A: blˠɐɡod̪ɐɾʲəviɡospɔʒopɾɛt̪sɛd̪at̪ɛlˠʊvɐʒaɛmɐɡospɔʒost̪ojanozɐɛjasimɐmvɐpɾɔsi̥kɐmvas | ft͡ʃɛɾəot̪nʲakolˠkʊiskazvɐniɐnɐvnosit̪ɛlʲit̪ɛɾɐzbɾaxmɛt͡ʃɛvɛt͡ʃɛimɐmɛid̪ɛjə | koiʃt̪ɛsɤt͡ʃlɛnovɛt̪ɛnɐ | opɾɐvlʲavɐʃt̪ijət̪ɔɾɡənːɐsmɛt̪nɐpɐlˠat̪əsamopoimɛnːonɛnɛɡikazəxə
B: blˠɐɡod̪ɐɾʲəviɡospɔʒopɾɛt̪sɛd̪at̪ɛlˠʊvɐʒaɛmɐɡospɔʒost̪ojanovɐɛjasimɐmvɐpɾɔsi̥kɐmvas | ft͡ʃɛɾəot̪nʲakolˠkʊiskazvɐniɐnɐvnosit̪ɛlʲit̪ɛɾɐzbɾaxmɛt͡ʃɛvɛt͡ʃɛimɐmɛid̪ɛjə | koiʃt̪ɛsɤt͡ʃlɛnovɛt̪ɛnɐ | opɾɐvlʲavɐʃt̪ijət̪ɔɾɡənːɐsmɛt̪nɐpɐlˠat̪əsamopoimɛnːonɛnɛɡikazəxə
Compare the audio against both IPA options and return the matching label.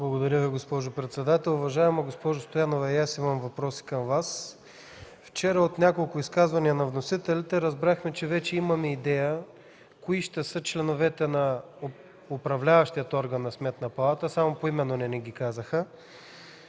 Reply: B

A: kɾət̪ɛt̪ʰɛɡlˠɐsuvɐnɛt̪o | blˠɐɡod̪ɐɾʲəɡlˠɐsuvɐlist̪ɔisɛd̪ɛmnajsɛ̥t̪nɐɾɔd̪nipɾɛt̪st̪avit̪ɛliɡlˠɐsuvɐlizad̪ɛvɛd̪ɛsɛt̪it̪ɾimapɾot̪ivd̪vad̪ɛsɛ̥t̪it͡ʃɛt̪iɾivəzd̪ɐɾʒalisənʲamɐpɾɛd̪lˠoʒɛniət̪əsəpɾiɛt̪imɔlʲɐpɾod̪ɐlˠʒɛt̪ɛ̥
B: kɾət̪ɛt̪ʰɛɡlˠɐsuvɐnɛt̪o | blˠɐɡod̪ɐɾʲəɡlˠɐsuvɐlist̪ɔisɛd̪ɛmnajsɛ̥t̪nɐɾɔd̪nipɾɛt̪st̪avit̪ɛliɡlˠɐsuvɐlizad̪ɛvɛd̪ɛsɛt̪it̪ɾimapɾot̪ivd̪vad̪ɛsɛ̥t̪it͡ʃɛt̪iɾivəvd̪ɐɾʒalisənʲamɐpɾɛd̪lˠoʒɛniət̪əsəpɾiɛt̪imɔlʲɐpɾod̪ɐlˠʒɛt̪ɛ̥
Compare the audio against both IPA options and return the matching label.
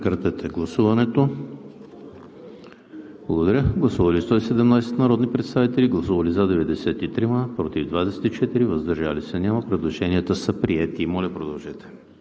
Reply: A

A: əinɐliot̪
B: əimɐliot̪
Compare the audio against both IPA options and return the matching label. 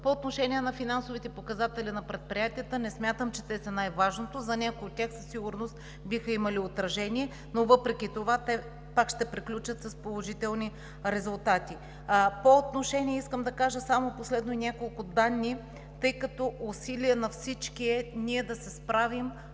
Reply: B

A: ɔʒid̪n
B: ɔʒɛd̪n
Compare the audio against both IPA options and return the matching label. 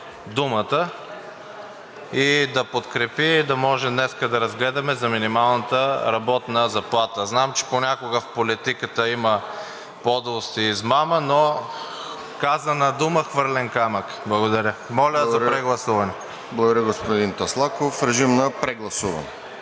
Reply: B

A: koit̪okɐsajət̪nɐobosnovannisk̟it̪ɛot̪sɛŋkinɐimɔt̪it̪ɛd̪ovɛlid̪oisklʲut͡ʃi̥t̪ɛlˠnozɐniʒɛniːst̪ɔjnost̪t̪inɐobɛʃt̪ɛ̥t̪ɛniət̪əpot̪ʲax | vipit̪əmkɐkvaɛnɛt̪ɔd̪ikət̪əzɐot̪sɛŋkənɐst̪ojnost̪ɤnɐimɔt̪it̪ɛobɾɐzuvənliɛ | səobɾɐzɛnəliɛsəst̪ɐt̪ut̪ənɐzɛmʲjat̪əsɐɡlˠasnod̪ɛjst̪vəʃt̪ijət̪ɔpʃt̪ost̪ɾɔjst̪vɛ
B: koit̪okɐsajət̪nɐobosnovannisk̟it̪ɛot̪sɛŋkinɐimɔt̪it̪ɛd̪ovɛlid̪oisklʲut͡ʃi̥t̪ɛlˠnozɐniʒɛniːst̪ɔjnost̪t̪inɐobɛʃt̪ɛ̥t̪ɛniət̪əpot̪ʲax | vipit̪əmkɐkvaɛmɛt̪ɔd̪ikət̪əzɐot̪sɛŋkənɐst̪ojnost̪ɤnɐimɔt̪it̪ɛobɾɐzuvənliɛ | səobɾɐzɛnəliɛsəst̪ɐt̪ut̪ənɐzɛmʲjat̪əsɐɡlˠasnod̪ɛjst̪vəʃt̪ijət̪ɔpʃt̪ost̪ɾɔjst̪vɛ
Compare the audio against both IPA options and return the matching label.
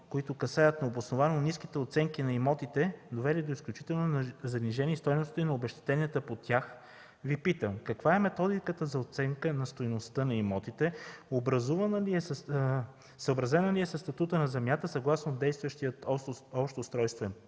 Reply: B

